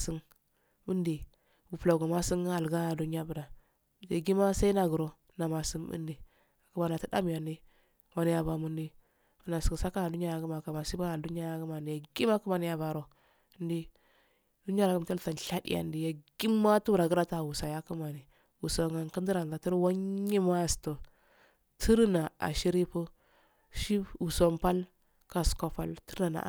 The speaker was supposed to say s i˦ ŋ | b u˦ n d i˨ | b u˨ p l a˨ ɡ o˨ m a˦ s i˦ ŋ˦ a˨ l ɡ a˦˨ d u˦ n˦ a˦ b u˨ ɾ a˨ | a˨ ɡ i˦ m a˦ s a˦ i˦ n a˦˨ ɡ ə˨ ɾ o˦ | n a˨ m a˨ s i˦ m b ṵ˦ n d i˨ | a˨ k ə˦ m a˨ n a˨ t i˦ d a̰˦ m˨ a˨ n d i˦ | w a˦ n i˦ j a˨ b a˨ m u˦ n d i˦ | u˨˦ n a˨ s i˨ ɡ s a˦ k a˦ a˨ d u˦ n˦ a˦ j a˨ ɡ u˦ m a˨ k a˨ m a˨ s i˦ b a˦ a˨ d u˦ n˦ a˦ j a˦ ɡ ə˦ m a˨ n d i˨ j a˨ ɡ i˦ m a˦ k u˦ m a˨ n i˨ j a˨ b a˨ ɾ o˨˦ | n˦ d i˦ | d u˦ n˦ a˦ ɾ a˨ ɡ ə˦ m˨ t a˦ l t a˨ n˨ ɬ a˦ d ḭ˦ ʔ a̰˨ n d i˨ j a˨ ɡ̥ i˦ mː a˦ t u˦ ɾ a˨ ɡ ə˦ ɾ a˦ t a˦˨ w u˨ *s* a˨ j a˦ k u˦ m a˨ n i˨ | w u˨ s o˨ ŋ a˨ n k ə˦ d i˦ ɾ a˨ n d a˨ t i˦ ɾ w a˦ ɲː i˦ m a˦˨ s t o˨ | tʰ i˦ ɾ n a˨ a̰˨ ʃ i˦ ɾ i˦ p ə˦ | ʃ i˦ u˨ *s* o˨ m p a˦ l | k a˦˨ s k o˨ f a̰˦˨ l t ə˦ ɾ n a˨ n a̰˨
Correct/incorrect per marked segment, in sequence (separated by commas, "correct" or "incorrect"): correct, correct